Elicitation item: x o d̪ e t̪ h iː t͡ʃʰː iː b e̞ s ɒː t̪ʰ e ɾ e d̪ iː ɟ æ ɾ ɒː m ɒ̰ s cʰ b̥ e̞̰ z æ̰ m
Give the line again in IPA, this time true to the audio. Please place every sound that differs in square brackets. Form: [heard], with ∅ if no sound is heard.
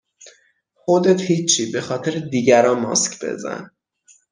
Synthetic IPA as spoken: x o d̪ e t̪ h iː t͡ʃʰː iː b e̞ [x] ɒː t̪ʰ e ɾ e d̪ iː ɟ æ ɾ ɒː m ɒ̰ s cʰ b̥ e̞̰ z æ̰ [n]